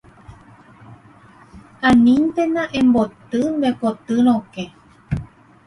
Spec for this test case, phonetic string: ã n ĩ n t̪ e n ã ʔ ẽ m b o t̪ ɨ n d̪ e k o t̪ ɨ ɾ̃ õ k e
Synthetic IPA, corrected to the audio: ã n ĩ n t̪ e n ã ʔ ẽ m b o t̪ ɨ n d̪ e k o t̪ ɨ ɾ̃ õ k e